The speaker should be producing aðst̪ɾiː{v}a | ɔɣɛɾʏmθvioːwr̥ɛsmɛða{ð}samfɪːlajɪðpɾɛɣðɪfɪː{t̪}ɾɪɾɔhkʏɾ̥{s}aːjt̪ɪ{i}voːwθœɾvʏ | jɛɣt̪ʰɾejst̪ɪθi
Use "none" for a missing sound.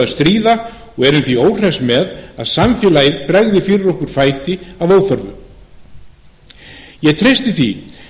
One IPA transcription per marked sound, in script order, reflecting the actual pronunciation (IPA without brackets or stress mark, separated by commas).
ð, ð, none, f, a